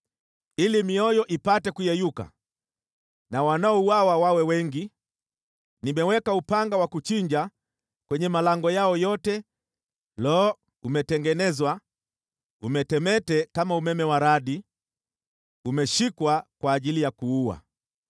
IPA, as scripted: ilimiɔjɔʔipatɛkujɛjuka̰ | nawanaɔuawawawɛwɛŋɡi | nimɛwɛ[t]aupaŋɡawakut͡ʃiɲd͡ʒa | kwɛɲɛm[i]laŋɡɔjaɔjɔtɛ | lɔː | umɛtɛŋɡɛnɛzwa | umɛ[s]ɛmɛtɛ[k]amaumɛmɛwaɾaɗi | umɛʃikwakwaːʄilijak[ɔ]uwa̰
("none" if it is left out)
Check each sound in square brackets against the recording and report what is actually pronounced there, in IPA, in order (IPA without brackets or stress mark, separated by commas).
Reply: k, a, t, k, u